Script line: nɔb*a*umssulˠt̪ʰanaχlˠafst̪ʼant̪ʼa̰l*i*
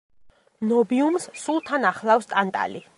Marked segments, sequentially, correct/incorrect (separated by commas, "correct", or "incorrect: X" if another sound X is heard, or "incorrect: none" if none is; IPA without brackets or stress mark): incorrect: i, correct